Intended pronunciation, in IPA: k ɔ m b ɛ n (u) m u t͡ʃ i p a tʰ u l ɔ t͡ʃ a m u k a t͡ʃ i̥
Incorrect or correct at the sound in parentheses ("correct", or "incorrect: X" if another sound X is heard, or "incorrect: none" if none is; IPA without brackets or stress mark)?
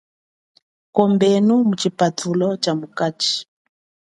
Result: correct